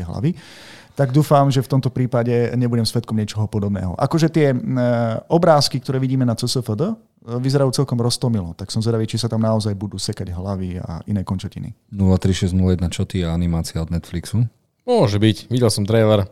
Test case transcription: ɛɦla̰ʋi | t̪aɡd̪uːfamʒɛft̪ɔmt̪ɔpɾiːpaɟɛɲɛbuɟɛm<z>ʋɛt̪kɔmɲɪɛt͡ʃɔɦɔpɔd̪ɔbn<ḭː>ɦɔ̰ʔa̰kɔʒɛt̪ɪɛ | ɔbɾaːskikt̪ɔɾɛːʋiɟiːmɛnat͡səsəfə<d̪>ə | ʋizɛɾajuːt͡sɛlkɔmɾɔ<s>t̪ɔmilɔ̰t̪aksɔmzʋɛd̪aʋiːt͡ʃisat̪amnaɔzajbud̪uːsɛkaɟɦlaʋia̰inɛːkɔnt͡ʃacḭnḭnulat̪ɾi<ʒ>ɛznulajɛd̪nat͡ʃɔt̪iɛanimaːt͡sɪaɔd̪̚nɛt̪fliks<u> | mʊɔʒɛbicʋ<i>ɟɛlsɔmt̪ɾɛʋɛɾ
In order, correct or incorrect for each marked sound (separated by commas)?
incorrect, incorrect, correct, correct, incorrect, correct, correct